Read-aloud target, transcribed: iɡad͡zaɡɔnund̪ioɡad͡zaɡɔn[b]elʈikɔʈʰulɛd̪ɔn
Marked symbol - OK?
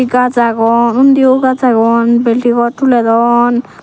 yes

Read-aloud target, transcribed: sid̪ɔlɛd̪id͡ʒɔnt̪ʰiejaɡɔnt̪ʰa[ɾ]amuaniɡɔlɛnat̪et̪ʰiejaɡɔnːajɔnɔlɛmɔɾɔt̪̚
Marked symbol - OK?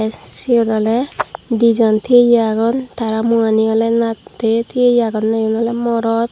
yes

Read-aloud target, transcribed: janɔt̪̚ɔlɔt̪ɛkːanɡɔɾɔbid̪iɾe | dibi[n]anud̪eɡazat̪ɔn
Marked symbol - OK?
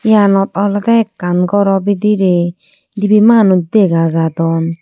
no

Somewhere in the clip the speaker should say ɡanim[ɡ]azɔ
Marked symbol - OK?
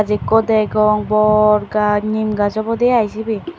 yes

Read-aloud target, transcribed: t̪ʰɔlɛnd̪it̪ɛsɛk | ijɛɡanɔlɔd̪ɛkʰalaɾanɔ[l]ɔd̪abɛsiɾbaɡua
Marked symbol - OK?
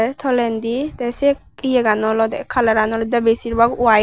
yes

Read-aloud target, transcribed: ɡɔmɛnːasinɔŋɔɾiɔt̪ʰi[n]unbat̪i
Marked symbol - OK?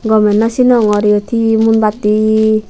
no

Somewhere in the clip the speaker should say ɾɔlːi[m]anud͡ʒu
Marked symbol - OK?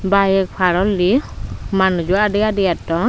yes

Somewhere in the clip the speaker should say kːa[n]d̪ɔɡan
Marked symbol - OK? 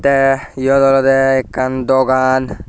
yes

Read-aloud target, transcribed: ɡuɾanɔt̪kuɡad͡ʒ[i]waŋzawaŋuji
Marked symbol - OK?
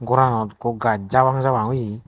no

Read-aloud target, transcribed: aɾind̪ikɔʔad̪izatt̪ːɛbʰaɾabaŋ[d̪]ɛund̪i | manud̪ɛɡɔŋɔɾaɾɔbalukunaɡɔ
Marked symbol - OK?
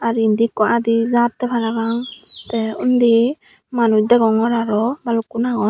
no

